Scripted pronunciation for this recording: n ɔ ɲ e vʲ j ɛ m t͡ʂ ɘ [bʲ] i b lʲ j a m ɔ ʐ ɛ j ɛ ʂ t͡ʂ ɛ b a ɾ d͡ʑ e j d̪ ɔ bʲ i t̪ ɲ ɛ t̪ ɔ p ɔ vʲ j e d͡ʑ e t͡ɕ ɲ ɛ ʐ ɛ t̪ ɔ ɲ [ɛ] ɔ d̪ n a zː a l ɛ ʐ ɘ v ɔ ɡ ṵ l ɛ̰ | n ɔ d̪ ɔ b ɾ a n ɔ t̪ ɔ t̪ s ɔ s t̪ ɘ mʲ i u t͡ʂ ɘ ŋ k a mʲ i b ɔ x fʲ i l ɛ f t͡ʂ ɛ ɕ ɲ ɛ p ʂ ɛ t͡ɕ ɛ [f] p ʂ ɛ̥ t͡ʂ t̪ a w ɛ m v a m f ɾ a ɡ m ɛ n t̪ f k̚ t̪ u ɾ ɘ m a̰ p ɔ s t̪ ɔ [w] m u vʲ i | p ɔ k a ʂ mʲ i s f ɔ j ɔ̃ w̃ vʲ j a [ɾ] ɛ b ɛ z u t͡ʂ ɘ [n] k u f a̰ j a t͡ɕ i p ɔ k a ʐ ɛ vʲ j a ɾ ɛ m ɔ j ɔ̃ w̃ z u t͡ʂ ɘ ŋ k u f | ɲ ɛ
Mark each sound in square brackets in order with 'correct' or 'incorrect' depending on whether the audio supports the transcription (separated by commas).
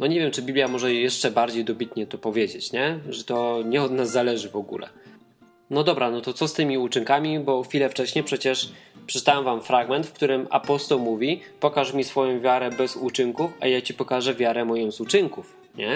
correct, correct, incorrect, correct, correct, incorrect